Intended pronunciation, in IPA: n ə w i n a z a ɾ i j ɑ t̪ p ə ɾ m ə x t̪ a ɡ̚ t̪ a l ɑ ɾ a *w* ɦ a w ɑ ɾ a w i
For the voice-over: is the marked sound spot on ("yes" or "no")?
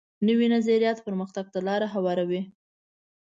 no